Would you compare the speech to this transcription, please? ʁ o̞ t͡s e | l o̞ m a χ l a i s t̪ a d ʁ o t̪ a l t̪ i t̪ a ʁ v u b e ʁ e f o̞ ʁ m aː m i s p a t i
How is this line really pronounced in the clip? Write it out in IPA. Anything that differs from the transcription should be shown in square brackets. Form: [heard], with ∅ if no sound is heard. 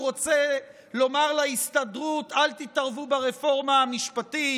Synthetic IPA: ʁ o̞ t͡s e | l o̞ m a [ʁ] l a i s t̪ a d ʁ [u] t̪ a l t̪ i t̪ a ʁ v u b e ʁ e f o̞ ʁ m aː m i [ʃ] p a t i